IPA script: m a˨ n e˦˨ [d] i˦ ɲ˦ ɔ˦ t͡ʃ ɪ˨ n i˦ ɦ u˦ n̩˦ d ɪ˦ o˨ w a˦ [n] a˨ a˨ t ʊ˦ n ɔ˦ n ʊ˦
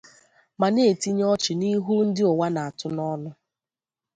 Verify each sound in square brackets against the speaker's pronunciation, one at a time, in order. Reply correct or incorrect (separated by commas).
incorrect, correct